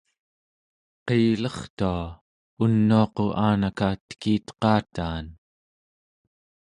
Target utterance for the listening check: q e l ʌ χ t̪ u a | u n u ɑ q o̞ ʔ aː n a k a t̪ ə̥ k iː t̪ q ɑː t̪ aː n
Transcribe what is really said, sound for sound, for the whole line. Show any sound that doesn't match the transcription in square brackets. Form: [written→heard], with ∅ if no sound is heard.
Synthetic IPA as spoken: q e l ʌ χ t̪ u a | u [n→nː] u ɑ q o̞ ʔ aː n a k a t̪ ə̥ k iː t̪ q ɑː t̪ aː n